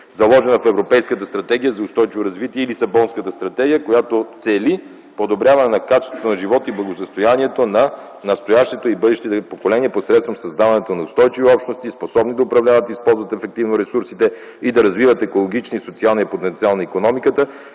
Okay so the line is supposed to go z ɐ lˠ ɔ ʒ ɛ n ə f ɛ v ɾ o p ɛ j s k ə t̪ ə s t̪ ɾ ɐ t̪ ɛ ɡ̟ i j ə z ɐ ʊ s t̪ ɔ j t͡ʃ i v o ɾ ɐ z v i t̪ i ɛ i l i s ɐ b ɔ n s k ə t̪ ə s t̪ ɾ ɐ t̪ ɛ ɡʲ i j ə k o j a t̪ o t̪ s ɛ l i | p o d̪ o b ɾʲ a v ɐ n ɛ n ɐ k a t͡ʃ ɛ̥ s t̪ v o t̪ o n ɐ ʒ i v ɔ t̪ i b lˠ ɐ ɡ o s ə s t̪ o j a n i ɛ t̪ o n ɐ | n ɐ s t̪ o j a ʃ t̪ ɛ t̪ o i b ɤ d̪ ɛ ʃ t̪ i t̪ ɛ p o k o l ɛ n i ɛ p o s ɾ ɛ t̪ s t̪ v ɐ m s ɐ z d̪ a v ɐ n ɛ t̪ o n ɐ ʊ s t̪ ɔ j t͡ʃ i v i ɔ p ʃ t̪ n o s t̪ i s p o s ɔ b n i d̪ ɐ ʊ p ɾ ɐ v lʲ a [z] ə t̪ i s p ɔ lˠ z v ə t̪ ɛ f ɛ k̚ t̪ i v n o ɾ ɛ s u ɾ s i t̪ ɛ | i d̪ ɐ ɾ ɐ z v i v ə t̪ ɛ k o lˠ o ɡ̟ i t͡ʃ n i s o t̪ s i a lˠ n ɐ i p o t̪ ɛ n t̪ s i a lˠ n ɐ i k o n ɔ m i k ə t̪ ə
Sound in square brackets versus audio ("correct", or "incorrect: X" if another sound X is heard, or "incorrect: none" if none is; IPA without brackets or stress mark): incorrect: v